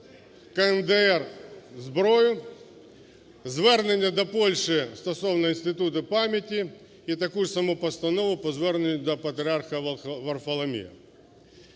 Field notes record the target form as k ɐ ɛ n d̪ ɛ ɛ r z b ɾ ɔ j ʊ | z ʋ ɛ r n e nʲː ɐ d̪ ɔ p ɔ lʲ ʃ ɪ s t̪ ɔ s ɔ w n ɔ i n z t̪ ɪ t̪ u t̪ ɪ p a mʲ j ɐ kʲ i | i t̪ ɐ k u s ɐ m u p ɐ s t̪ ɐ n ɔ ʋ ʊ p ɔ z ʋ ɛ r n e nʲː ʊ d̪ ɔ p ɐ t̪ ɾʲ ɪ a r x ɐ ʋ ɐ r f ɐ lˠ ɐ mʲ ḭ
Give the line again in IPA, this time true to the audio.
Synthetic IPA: k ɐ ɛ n d̪ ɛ ɛ r z b ɾ ɔ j ʊ | z ʋ ɛ r n e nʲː ɐ d̪ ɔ p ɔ lʲ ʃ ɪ s t̪ ɔ s ɔ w n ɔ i n s t̪ ɪ t̪ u t̪ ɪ p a mʲ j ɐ tʲ i | i t̪ ɐ k u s ɐ m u p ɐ s t̪ ɐ n ɔ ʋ ʊ p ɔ z ʋ ɛ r n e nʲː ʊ d̪ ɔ p ɐ t̪ ɾʲ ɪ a r x ɐ ʋ ɐ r f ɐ lˠ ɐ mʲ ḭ